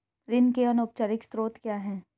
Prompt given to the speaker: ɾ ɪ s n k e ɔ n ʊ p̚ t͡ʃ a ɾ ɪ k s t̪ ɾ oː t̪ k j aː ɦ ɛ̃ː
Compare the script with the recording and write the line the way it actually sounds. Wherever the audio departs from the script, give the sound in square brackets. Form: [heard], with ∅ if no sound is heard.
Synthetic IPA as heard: ɾ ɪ [∅] n k e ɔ n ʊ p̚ t͡ʃ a ɾ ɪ k s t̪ ɾ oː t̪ k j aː ɦ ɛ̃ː